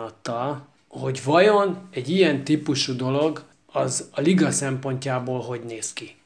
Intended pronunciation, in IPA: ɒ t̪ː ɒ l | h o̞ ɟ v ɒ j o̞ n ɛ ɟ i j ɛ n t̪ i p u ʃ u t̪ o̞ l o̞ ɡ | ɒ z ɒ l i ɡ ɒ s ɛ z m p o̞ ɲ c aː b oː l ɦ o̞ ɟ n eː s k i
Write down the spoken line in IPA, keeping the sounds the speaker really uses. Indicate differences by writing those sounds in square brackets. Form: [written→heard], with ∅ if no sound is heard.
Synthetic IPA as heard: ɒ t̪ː ɒ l | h o̞ ɟ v ɒ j o̞ n ɛ ɟ i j ɛ n t̪ i p u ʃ u [t̪→d̪] o̞ l o̞ ɡ | ɒ z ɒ l i ɡ ɒ s ɛ [z→∅] m p o̞ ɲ c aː b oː l ɦ o̞ ɟ n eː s k i